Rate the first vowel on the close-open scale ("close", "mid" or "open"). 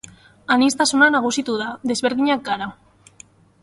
open